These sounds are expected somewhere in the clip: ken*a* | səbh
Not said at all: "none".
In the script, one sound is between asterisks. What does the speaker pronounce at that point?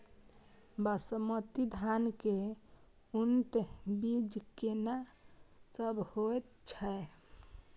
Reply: a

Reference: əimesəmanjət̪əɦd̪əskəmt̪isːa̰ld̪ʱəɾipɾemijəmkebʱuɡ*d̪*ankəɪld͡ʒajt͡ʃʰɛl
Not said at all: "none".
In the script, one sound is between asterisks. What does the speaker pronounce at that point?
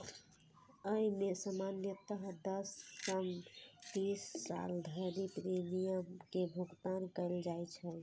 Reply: t̪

